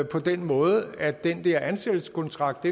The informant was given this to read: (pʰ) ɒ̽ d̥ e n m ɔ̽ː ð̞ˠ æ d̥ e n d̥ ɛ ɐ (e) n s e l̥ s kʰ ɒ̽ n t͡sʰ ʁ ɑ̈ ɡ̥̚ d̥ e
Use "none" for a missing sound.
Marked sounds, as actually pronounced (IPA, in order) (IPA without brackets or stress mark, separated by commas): pʰ, æ